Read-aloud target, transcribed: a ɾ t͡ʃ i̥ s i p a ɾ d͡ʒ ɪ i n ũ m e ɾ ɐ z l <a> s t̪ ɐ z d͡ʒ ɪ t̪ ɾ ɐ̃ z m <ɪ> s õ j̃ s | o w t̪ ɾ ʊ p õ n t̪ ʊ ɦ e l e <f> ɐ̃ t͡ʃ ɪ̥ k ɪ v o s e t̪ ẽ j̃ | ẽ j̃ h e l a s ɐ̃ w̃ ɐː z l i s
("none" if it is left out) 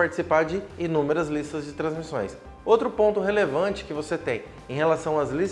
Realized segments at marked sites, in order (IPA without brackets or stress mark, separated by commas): i, i, v